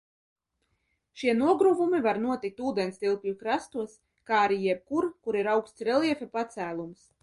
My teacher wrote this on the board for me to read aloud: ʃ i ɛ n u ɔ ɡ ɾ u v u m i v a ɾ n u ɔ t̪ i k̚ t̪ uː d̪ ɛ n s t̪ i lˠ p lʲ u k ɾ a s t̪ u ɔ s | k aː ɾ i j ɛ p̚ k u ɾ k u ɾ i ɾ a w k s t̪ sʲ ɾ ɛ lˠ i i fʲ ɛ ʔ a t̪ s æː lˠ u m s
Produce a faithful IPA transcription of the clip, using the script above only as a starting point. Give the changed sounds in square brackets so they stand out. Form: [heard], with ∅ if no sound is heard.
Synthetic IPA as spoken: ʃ i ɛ n u ɔ ɡ ɾ u v u m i v a ɾ n u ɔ t̪ i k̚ t̪ uː d̪ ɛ n s t̪ i lˠ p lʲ u k ɾ a s t̪ u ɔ s | k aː ɾ i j ɛ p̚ k u ɾ k u ɾ i ɾ a w k s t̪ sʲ ɾ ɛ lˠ i [ɛ] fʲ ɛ [p] a t̪ s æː lˠ u m s